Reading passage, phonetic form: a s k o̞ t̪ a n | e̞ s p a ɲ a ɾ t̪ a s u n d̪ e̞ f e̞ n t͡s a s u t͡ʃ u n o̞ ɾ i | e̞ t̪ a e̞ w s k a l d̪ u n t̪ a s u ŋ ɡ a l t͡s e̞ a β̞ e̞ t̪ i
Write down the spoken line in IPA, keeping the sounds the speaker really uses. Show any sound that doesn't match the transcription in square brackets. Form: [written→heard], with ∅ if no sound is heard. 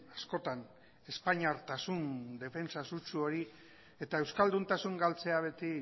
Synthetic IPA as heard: a s k o̞ t̪ a n | e̞ s p a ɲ a ɾ t̪ a s u n d̪ e̞ f e̞ n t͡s a s u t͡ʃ u [n→∅] o̞ ɾ i | e̞ t̪ a e̞ w s k a l d̪ u n t̪ a s u ŋ ɡ a l t͡s e̞ a β̞ e̞ t̪ i